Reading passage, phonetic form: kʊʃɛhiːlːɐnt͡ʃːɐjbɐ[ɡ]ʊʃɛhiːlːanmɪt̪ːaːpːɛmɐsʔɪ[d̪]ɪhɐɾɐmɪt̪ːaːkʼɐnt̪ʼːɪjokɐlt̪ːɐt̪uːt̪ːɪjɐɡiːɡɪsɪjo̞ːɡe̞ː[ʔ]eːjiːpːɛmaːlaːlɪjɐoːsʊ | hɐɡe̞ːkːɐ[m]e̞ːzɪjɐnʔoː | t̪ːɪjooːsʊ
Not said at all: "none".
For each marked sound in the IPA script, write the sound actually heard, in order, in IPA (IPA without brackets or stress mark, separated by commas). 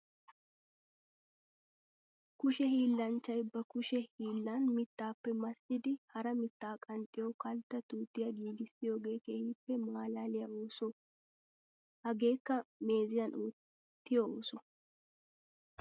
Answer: k, d̪, k, m